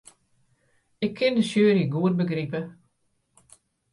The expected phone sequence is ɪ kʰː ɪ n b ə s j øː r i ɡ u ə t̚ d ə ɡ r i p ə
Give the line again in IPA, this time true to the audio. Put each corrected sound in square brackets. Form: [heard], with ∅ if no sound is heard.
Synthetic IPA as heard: ɪ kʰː ɪ n [d] ə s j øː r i ɡ u ə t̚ [b] ə ɡ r i p ə